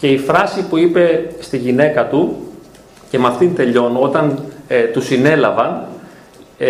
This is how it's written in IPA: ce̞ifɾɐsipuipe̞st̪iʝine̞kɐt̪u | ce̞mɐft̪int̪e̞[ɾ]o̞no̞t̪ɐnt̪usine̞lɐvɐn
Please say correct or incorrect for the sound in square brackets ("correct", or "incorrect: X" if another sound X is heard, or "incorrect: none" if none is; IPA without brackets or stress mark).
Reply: incorrect: ʎ